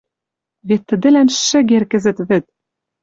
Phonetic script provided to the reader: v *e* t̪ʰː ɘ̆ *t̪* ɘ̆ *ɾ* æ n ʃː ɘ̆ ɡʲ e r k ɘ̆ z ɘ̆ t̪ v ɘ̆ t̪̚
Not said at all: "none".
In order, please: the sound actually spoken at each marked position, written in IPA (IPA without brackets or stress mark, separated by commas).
e, d̪, l